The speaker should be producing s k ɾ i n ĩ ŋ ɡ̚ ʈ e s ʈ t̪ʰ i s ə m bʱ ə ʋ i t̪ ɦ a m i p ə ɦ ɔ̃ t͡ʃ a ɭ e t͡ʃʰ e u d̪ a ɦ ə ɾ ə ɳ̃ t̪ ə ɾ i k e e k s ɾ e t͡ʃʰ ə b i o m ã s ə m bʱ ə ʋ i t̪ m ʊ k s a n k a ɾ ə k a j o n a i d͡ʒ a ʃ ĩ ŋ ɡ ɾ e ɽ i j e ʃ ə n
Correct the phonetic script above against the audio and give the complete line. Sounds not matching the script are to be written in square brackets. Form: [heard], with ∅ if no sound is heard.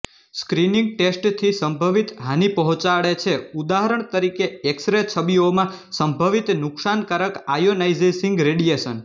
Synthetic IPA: s k ɾ i n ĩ ŋ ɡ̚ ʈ e s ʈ t̪ʰ i s ə m bʱ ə ʋ i t̪ ɦ a [n] i p ə ɦ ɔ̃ t͡ʃ a ɭ e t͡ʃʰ e u d̪ a ɦ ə ɾ ə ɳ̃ t̪ ə ɾ i k e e k s ɾ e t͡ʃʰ ə b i o m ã s ə m bʱ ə ʋ i t̪ [n] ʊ k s a n k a ɾ ə k a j o n a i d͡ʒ [e] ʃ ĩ ŋ ɡ ɾ e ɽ i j e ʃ ə n